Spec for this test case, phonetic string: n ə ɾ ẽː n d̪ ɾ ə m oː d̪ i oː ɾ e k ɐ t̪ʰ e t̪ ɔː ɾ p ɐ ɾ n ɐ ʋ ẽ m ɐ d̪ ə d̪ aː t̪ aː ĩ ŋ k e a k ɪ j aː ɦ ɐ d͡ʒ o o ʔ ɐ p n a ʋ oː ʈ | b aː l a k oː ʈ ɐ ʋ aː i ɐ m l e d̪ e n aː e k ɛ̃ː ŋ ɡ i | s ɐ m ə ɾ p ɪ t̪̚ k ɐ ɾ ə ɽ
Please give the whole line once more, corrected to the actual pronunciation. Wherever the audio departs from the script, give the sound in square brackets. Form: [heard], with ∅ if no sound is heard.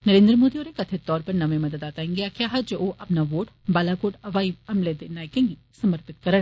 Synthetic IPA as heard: n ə ɾ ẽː n d̪ ɾ ə m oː d̪ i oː ɾ e k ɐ t̪ʰ e t̪ ɔː ɾ p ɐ ɾ n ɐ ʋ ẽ m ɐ d̪ ə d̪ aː t̪ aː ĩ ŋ [ɡ] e a k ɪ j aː ɦ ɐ d͡ʒ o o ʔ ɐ p n a ʋ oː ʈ | b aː l a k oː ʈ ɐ ʋ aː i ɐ m l e d̪ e n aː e k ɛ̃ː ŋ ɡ i | s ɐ m ə ɾ p ɪ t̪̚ k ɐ ɾ ə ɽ

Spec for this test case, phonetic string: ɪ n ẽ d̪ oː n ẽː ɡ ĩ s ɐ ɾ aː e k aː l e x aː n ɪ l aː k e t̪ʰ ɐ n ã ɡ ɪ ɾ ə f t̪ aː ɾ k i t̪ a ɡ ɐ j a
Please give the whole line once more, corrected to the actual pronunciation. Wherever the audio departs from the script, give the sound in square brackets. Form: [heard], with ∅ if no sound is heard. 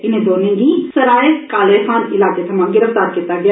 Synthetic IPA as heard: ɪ n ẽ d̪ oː n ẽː ɡ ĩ s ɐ ɾ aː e k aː l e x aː n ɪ l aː k e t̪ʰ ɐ [m] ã ɡ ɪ ɾ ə f t̪ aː ɾ k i t̪ a ɡ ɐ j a

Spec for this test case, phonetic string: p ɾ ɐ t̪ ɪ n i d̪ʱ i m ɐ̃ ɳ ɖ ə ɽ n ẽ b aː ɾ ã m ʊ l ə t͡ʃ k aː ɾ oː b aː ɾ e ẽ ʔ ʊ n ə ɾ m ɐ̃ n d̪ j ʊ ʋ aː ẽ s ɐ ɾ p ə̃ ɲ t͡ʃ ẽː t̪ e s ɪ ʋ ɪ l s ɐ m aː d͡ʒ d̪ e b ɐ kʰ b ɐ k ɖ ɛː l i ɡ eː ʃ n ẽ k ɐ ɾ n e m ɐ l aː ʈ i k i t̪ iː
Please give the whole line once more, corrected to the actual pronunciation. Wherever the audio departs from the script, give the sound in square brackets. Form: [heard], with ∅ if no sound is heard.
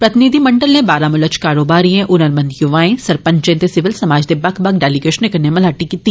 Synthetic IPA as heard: p ɾ ɐ t̪ ɪ n i d̪ʱ i m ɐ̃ ɳ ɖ ə [l] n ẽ b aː ɾ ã m ʊ l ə t͡ʃ k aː ɾ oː b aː ɾ [i] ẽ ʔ ʊ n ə ɾ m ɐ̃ n d̪ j ʊ ʋ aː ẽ s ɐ ɾ p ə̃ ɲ t͡ʃ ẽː t̪ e s ɪ ʋ ɪ l s ɐ m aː d͡ʒ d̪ e b ɐ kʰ b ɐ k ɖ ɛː l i ɡ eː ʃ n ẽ k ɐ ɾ n e m ɐ l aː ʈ i k i t̪ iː

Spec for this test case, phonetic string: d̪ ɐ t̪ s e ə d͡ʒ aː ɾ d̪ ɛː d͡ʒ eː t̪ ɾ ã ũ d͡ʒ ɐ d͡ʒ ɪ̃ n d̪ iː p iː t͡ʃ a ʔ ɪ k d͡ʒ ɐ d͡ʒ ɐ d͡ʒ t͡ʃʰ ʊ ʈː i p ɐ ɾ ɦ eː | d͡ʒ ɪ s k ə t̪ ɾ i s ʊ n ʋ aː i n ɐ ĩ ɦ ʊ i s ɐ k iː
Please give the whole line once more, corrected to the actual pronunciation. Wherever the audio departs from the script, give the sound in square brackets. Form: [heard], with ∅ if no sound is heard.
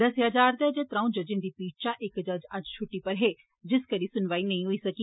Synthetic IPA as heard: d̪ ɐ [∅] s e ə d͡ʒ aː ɾ d̪ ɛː d͡ʒ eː t̪ ɾ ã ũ d͡ʒ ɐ d͡ʒ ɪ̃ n d̪ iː p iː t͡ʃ a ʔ ɪ k d͡ʒ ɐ d͡ʒ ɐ d͡ʒ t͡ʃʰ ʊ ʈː i p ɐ ɾ ɦ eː | d͡ʒ ɪ s k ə [∅] ɾ i s ʊ n ʋ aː i n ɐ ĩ ɦ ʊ i s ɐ k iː

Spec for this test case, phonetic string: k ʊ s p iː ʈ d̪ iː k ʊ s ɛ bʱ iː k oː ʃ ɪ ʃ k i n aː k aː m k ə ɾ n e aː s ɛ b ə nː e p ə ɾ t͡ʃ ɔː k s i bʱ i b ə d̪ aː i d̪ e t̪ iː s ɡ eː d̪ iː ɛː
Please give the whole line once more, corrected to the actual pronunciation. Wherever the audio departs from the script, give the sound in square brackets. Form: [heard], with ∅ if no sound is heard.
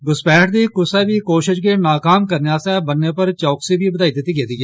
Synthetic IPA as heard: [ɡ] ʊ s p [ɛː] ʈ d̪ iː k ʊ s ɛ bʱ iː k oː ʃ ɪ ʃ k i n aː k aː m k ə ɾ n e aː s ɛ b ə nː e p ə ɾ t͡ʃ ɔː k s i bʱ i b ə d̪ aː i d̪ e t̪ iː [∅] ɡ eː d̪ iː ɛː

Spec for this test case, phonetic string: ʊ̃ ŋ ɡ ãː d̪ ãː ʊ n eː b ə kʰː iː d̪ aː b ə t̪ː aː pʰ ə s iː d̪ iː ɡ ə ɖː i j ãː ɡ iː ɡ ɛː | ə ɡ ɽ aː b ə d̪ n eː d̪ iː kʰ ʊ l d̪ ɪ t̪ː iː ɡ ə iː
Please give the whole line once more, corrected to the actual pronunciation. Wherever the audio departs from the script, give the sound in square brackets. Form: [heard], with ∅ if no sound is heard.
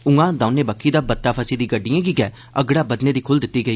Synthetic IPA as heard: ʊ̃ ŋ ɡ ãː d̪ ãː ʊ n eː b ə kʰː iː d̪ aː b ə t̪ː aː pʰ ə s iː d̪ iː ɡ ə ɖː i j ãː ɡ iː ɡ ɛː | ə ɡ ɽ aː b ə d̪ n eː d̪ iː kʰ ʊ l d̪ ɪ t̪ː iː ɡ ə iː

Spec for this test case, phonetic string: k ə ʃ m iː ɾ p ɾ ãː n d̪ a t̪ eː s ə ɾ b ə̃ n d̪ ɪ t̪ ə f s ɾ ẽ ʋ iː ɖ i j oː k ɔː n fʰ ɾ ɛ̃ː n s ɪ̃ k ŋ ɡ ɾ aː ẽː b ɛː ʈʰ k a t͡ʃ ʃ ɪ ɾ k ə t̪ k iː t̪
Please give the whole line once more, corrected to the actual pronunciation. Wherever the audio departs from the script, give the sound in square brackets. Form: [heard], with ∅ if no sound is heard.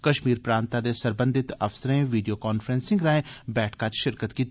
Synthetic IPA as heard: k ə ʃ m iː ɾ p ɾ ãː n [t̪] a [d̪] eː s ə ɾ b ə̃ n d̪ ɪ t̪ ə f s ɾ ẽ ʋ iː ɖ i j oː k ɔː n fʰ ɾ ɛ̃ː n s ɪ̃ [∅] ŋ ɡ ɾ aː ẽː b ɛː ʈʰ k a t͡ʃ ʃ ɪ ɾ k ə t̪ k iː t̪

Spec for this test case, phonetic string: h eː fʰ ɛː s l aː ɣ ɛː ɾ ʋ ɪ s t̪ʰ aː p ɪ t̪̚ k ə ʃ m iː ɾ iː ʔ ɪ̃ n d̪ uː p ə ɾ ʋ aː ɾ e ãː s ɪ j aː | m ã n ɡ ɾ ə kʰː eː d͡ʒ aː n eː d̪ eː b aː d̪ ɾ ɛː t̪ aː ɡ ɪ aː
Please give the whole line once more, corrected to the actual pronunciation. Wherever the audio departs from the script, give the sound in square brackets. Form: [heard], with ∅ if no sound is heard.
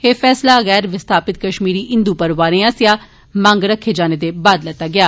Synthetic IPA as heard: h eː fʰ ɛː s l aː ɣ ɛː ɾ ʋ ɪ s t̪ʰ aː p ɪ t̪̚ k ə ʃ m iː ɾ iː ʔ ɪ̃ n d̪ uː p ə ɾ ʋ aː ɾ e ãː s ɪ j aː | m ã [ŋ] ɡ ɾ ə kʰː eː d͡ʒ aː n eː d̪ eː b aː d̪ [l] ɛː t̪ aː ɡ ɪ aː

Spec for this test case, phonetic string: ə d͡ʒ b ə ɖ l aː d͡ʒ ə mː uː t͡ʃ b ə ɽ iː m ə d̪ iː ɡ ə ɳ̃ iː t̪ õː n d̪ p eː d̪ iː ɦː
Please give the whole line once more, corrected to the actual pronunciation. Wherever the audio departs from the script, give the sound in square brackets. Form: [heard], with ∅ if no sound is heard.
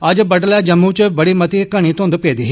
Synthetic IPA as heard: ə d͡ʒ b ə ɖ l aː d͡ʒ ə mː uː t͡ʃ b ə ɽ iː m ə [t̪] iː [k] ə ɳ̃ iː t̪ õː n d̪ p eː d̪ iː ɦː

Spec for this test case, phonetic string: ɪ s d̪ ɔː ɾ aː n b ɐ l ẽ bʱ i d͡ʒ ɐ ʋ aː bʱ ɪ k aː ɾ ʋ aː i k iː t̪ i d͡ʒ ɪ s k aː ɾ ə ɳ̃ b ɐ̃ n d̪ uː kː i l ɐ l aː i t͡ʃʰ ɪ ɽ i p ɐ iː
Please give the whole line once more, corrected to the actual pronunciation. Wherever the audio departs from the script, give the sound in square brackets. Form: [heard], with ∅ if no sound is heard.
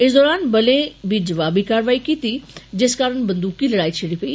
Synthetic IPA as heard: ɪ s d̪ ɔː ɾ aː n b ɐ l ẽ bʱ i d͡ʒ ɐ ʋ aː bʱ [i] k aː ɾ ʋ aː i k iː t̪ i d͡ʒ ɪ s k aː ɾ ə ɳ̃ b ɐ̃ n d̪ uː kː i l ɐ [ɽ] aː i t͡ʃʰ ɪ ɽ i p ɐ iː

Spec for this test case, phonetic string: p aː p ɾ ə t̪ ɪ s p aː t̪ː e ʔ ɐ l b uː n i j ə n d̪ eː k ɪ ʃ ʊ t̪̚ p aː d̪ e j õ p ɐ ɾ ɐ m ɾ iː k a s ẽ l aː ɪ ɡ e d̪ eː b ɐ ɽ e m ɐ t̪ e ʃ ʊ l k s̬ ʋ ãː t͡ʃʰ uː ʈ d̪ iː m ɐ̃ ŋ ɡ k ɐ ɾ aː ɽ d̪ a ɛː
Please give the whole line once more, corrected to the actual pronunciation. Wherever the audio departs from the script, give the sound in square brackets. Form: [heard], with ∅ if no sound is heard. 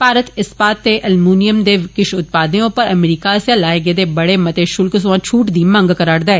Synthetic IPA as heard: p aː [∅] ɾ ə t̪ ɪ s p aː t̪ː e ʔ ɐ l [m] uː n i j ə [m] d̪ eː k ɪ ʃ ʊ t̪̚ p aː d̪ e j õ p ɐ ɾ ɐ m ɾ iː k a s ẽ l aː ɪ ɡ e d̪ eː b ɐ ɽ e m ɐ t̪ e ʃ ʊ l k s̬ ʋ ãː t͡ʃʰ uː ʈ d̪ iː m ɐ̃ ŋ ɡ k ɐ ɾ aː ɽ d̪ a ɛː

